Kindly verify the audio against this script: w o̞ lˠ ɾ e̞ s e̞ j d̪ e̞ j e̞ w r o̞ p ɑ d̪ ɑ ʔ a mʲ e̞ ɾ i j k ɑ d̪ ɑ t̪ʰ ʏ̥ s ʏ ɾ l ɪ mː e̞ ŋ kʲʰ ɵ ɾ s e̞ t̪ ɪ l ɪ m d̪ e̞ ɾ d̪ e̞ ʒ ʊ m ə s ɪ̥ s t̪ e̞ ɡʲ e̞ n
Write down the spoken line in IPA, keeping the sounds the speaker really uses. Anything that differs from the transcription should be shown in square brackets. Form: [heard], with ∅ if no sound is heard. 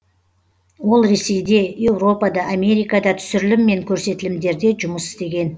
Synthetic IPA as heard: w o̞ lˠ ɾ e̞ s e̞ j d̪ e̞ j e̞ w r o̞ p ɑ d̪ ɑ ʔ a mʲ e̞ ɾ i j k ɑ d̪ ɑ t̪ʰ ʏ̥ s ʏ ɾ l ɪ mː e̞ ŋ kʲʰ ɵ ɾ s e̞ t̪ ɪ l ɪ m d̪ e̞ ɾ d̪ e̞ ʒ ʊ m ə s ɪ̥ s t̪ e̞ ɡʲ e̞ n